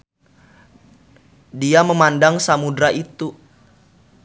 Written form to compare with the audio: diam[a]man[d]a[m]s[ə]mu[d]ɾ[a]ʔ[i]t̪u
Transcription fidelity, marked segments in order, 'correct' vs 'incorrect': incorrect, correct, incorrect, incorrect, correct, correct, correct

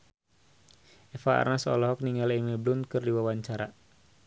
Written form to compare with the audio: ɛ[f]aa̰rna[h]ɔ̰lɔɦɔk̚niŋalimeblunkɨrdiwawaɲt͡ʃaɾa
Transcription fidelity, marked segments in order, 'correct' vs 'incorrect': correct, incorrect

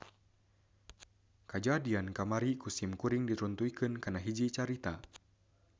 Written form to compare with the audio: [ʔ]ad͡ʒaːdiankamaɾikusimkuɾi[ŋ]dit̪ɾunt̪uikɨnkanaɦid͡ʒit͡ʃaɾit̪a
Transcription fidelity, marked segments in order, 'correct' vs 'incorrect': incorrect, correct

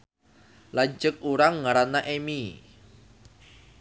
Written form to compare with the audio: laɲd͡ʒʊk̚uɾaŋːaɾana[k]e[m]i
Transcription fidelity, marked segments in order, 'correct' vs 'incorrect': incorrect, correct

